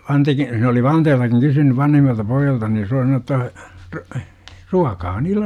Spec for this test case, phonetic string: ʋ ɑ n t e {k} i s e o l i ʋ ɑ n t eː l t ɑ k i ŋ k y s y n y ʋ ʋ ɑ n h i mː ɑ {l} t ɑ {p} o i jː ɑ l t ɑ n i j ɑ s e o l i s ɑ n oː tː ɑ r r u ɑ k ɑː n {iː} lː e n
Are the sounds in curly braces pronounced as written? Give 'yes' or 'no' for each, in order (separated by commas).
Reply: yes, yes, yes, yes